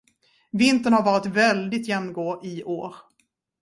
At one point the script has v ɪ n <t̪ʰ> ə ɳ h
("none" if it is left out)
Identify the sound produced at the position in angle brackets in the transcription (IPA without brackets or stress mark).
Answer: t̪